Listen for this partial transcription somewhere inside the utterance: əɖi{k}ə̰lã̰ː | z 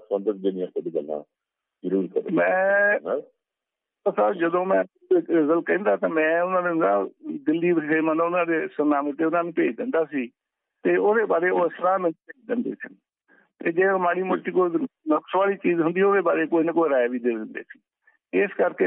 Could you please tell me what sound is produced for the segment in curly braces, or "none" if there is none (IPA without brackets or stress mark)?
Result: ɡ